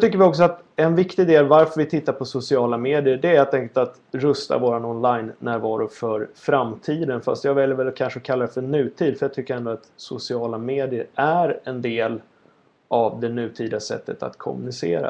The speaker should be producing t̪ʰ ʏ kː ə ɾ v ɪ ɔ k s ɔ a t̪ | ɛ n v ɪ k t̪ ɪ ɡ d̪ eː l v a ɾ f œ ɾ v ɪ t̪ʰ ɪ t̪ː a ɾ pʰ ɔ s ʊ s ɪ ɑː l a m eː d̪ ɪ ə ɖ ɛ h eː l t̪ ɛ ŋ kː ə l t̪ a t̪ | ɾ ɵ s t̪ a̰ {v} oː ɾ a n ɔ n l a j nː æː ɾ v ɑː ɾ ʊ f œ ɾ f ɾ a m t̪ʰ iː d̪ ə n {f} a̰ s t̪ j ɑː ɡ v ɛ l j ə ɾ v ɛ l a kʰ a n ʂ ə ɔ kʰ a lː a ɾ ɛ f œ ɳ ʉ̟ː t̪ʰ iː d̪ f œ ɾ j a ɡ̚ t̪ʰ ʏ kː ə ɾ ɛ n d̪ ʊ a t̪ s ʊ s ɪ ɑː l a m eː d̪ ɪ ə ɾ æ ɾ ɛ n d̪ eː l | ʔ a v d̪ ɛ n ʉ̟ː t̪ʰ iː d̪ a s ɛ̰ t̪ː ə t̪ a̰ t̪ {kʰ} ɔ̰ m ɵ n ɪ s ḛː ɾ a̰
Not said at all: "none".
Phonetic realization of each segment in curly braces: v, f, kʰ

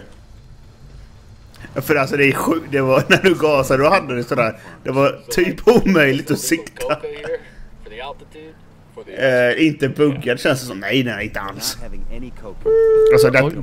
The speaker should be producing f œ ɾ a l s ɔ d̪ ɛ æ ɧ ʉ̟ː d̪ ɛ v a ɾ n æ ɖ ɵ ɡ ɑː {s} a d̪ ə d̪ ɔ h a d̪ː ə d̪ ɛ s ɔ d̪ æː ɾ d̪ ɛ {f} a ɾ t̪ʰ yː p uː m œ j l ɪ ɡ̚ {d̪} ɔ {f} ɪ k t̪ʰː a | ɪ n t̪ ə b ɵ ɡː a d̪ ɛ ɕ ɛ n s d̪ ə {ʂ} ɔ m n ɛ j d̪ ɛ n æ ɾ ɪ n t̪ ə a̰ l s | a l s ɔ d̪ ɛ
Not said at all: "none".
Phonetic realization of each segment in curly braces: s, v, t̪, s, s

